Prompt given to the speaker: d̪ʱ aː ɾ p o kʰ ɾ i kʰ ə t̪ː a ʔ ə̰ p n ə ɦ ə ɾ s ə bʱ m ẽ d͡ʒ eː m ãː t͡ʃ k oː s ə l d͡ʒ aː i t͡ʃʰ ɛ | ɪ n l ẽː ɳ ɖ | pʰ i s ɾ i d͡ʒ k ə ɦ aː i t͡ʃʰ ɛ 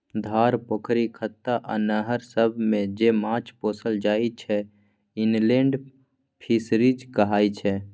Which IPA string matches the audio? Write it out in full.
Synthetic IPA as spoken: d̪ʱ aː ɾ p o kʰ ɾ i kʰ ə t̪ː a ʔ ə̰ n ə ɦ ə ɾ s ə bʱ m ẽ d͡ʒ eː m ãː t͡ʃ p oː s ə l d͡ʒ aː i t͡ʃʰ ɛ | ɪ n l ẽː ɳ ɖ | pʰ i s ɾ i d͡ʒ k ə ɦ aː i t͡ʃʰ ɛ